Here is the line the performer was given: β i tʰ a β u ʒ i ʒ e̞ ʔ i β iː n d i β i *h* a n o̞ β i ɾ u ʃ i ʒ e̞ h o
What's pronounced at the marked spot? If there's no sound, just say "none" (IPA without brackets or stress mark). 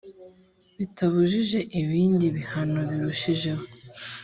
h